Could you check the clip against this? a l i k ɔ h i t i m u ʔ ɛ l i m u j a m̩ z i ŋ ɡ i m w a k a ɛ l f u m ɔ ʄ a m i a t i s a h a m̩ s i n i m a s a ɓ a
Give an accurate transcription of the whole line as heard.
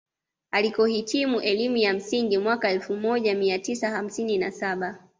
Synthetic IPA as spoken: a l i k ɔ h i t i m u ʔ ɛ l i m u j a m̩ s i ŋ ɡ i m w a k a ɛ l f u m ɔ ʄ a m i a t i s a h a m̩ s i n i n a s a ɓ a

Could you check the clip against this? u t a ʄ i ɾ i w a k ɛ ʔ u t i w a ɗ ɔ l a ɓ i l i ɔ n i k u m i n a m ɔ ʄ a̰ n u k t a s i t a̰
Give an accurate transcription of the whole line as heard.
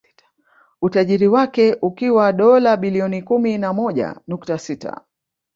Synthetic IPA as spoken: u t a ʄ i ɾ i w a k ɛ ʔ u k i w a ɗ ɔ l a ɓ i l i ɔ n i k u m i n a m ɔ ʄ a̰ n u k t a s i t a̰

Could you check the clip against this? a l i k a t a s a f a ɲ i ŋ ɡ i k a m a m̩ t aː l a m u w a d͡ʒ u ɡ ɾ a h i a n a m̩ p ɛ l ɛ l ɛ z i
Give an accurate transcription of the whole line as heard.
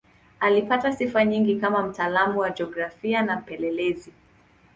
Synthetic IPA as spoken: a l i p a t a s i f a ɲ i ŋ ɡ i k a m a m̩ t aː l a m u w a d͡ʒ ɔ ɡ ɾ a f i a n a m̩ p ɛ l ɛ l ɛ z i

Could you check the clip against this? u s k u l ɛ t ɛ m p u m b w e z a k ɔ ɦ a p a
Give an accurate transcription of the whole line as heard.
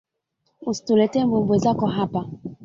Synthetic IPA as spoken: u s t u l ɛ t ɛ m b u m b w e z a k ɔ ɦ a p a

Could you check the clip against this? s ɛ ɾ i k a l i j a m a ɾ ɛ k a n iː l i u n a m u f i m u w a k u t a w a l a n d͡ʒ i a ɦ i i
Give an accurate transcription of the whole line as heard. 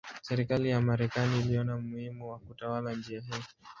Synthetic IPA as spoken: s ɛ ɾ i k a l i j a m a ɾ ɛ k a n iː l i ɔ n a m u h i m u w a k u t a w a l a n d͡ʒ i a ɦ i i

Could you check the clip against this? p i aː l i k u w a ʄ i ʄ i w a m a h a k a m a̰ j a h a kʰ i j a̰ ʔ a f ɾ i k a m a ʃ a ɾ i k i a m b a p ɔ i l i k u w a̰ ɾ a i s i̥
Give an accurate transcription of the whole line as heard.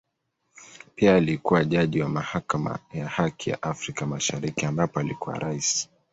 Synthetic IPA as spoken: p i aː l i k u w a ʄ a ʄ i w a m a h a k a m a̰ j a h a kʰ i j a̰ ʔ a f ɾ i k a m a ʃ a ɾ i k i a m b a p ɔ a l i k u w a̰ ɾ a i s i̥

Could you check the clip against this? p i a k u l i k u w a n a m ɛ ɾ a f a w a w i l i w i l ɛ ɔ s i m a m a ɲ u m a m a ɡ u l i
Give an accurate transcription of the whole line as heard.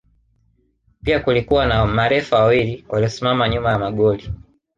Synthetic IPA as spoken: p i a k u l i k u w a n a m a ɾ ɛ f a w a w i l i w a l i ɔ s i m a m a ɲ u m a m a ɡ ɔ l i

